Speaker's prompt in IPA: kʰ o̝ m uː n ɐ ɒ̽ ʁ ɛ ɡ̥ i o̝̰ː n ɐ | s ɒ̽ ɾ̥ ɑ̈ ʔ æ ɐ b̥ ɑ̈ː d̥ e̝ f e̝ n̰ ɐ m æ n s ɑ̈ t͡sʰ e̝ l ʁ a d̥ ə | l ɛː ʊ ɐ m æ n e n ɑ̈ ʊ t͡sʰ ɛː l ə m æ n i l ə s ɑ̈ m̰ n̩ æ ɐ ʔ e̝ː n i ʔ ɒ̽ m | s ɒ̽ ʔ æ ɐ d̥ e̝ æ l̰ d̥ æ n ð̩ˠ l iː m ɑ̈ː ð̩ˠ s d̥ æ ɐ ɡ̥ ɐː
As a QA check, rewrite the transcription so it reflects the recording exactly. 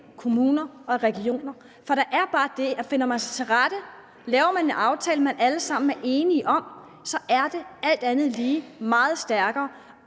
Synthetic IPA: kʰ o̝ m uː n ɐ ɒ̽ ʁ ɛ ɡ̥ i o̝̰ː n ɐ | f ɒ̽ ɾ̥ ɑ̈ ʔ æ ɐ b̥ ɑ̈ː d̥ e̝ f e̝ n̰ ɐ m æ n s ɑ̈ t͡sʰ e̝ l ʁ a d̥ ə | l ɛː ʊ ɐ m æ n e n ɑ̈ ʊ t͡sʰ ɛː l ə m æ n æ l ə s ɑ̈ m̰ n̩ æ ɐ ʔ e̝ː n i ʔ ɒ̽ m | s ɒ̽ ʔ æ ɐ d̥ e̝ æ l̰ d̥ æ n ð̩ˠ l iː m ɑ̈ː ð̩ˠ s d̥ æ ɐ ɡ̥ ɐː